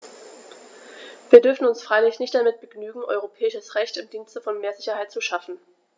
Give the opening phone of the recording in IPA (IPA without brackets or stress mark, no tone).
v